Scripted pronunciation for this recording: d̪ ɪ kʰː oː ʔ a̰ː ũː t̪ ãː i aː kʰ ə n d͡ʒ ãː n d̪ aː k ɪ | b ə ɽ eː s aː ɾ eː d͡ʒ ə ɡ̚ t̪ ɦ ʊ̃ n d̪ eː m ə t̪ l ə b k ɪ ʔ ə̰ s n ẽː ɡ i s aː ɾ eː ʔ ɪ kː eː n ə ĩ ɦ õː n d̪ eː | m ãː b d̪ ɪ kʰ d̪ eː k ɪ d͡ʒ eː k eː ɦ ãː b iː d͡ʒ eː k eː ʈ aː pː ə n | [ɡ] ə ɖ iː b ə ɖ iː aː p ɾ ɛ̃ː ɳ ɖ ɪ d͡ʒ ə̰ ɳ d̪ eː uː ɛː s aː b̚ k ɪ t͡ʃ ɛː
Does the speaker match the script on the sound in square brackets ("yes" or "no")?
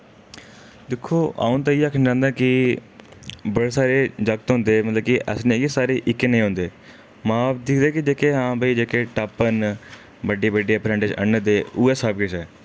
no